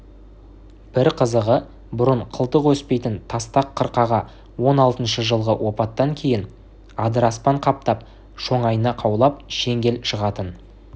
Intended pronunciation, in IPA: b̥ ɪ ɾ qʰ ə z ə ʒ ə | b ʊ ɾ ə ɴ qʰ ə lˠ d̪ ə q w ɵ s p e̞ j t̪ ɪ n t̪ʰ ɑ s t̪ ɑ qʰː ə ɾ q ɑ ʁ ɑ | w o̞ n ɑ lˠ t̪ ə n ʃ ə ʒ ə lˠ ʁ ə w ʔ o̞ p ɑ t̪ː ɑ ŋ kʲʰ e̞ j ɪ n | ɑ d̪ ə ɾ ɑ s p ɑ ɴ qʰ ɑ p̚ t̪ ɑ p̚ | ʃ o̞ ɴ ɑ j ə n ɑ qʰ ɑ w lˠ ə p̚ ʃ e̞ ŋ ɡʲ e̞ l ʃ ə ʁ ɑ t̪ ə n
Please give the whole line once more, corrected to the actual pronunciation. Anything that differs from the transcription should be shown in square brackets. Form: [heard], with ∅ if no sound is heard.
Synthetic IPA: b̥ ɪ ɾ qʰ ə z ə [ʁ] ə | b ʊ ɾ ə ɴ qʰ ə lˠ [t̪] ə q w ɵ s p e̞ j t̪ ɪ n t̪ʰ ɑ s t̪ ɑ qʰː ə ɾ q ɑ ʁ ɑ | w o̞ n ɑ lˠ t̪ ə n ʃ ə ʒ ə lˠ ʁ ə w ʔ o̞ p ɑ t̪ː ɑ ŋ kʲʰ e̞ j ɪ n | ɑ d̪ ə ɾ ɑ s p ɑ ɴ qʰ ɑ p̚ t̪ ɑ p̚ | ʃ o̞ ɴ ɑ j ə n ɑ qʰ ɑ w lˠ [ɑ] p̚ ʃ e̞ ŋ ɡʲ e̞ l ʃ ə ʁ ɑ t̪ ə n